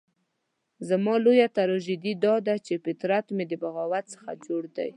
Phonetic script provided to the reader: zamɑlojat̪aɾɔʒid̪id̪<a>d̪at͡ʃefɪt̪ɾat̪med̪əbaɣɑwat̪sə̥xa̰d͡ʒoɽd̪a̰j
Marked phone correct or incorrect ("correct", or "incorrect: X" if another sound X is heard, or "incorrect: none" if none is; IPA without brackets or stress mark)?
incorrect: ɑ